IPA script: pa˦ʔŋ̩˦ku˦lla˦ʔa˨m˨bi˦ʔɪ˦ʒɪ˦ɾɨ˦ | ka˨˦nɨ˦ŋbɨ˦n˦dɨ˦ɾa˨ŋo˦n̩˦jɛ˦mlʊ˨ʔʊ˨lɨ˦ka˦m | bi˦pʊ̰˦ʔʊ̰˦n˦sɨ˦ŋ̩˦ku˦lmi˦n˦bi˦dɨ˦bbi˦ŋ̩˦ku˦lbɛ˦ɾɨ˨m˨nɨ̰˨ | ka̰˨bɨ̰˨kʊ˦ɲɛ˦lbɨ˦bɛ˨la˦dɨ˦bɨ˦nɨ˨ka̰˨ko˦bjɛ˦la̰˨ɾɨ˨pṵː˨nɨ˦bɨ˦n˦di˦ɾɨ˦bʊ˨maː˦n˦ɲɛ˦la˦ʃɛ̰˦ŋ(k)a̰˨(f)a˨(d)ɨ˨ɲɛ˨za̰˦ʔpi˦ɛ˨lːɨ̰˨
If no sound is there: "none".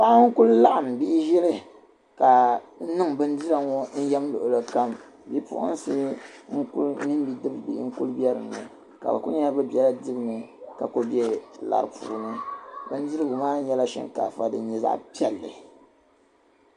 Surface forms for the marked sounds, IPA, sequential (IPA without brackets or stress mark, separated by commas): k, f, d